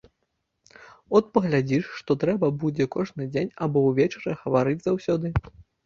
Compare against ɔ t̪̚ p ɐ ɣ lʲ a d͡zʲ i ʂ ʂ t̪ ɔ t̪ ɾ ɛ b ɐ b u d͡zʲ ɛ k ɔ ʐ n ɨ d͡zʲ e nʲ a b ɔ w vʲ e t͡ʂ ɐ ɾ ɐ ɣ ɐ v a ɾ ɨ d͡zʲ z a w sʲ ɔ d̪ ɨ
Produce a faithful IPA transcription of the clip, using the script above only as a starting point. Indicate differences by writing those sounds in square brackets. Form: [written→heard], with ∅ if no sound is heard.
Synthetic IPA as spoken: ɔ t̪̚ p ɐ ɣ lʲ a d͡zʲ i ʂ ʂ t̪ ɔ t̪ ɾ ɛ b ɐ b u d͡zʲ ɛ k ɔ ʐ n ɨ d͡zʲ e nʲ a b ɔ w vʲ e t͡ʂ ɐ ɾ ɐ ɣ ɐ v a ɾ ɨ d͡zʲ z a w sʲ ɔ d̪ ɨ